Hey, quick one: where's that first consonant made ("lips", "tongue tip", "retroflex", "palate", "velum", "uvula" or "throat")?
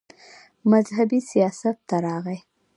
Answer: lips